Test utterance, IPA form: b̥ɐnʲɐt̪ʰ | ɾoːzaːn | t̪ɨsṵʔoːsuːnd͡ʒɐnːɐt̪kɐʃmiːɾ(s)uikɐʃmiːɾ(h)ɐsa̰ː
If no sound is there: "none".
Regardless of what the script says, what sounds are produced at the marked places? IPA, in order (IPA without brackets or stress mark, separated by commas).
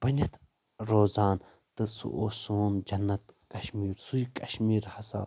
s, h